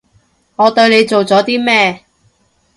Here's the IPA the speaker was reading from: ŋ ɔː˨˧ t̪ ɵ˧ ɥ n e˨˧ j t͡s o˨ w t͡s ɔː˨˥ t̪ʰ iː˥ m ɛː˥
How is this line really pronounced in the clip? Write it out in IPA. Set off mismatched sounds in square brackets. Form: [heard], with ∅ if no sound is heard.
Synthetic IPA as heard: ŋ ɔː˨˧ t̪ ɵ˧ ɥ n e˨˧ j t͡s o˨ w t͡s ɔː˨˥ [t̪] iː˥ m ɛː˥